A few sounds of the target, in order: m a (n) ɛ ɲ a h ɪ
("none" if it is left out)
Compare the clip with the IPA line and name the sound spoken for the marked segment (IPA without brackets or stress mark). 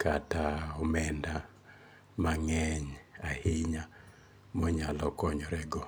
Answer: ŋ